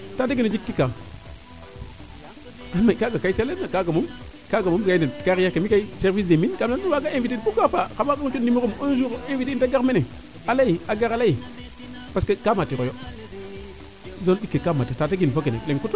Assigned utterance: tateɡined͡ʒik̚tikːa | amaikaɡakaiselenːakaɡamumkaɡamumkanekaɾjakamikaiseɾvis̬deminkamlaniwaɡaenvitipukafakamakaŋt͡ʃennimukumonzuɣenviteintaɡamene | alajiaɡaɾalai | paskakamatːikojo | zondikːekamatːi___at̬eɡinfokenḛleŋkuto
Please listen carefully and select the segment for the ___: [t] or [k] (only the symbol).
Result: t